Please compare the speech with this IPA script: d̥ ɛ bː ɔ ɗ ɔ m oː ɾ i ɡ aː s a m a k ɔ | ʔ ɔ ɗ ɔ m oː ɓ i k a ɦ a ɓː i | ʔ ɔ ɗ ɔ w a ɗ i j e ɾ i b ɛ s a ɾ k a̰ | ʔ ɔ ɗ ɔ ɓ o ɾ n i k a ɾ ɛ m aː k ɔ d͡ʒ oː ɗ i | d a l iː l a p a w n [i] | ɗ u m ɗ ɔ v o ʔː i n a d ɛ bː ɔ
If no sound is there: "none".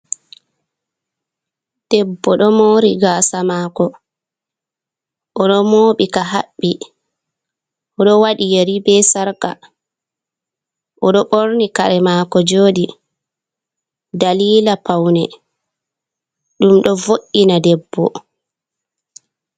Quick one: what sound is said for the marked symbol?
ɛ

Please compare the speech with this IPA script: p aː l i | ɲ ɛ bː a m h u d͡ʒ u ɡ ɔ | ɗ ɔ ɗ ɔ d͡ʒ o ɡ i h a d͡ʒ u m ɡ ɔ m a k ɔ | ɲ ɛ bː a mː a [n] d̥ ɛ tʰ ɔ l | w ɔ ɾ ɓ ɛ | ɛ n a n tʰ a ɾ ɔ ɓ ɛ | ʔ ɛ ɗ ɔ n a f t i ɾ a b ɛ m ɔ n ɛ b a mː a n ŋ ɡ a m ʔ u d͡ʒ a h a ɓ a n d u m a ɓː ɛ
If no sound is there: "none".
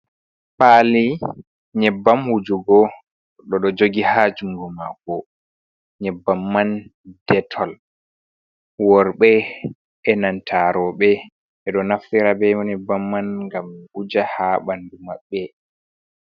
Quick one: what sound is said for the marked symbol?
n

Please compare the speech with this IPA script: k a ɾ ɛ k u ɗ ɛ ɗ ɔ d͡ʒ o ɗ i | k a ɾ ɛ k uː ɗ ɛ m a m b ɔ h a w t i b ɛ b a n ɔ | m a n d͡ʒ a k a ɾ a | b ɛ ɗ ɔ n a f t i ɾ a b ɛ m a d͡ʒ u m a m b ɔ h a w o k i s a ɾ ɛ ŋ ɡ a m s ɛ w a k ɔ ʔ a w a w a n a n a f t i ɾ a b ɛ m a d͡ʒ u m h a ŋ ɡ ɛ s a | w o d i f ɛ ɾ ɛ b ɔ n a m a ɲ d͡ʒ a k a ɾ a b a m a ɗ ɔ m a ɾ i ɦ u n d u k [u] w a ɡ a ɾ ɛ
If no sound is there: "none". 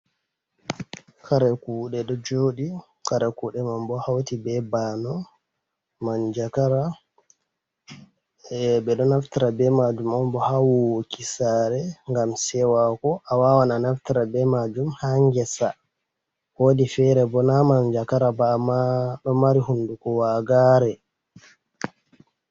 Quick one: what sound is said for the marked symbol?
ɔ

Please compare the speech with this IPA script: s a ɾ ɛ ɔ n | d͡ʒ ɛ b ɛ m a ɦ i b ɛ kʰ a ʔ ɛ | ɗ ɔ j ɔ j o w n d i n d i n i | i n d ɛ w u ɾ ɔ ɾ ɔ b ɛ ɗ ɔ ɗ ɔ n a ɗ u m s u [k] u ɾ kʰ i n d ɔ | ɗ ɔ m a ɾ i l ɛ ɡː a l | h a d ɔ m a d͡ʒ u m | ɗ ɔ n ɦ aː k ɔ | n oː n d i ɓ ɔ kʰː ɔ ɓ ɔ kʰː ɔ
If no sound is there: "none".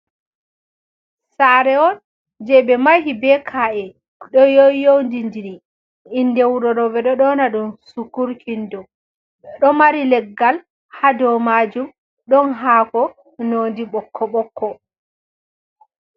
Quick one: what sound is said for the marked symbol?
k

